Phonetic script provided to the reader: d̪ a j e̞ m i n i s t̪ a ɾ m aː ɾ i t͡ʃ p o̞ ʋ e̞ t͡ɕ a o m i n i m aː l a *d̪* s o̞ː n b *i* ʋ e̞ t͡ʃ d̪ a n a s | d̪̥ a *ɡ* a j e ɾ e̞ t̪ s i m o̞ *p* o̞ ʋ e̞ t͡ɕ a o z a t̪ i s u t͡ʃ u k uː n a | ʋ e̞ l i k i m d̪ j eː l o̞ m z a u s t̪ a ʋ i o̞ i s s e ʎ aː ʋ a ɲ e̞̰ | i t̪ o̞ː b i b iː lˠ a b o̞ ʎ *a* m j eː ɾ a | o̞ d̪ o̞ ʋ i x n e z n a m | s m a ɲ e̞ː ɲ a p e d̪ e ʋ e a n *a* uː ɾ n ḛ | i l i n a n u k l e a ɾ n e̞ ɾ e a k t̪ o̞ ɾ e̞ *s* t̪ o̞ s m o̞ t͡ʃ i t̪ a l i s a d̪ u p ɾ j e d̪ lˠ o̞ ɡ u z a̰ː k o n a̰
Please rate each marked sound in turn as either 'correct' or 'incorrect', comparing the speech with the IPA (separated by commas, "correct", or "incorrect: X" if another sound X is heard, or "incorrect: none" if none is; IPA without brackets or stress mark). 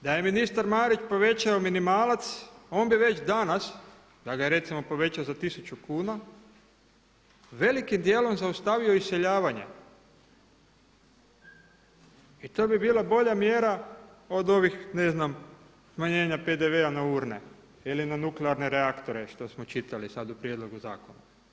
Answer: incorrect: t̪, correct, correct, correct, correct, correct, incorrect: ʃ